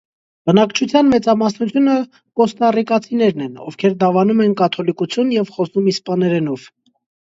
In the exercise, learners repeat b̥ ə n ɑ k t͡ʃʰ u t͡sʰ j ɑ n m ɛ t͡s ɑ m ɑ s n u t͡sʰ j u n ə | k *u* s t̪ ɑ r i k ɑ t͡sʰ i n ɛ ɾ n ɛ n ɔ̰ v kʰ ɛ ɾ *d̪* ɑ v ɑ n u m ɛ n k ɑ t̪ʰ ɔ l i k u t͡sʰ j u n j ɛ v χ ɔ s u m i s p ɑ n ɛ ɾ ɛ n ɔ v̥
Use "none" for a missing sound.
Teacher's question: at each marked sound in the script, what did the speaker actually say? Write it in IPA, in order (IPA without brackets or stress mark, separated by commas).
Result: ɔ, d̪